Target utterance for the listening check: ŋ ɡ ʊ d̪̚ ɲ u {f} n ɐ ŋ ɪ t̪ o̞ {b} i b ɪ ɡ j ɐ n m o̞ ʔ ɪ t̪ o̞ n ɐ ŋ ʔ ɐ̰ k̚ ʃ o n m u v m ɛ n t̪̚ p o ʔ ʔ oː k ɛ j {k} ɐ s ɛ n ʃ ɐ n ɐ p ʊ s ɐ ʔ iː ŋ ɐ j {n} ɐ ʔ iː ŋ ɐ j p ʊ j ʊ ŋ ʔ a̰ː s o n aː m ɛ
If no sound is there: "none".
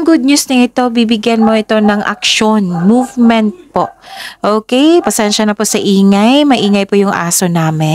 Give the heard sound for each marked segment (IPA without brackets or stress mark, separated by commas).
s, b, p, m